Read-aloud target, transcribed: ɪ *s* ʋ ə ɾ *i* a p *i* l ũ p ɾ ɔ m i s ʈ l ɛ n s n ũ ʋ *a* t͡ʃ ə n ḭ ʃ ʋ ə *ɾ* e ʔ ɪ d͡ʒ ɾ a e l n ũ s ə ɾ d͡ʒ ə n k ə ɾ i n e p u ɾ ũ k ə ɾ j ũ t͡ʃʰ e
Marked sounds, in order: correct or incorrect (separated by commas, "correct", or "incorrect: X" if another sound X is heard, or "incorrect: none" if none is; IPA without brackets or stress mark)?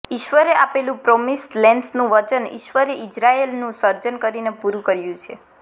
incorrect: ʃ, incorrect: e, incorrect: e, incorrect: ə, correct